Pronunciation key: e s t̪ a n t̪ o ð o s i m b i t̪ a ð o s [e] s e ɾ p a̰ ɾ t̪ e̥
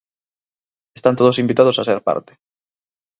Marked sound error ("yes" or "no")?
yes